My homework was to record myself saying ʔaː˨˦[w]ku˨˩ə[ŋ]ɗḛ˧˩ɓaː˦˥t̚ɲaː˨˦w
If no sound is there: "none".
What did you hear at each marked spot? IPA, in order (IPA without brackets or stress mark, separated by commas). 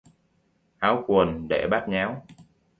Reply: w, n